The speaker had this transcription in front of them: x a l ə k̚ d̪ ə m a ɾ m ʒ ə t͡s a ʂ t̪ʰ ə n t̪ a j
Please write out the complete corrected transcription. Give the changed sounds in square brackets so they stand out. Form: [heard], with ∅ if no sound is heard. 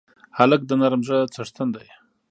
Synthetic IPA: [h] a l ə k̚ d̪ ə [n] a ɾ m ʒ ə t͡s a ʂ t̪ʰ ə n [d̪] a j